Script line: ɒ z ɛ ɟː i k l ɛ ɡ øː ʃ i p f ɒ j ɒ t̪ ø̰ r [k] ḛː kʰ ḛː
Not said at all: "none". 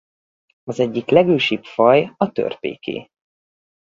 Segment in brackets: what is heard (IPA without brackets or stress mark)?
p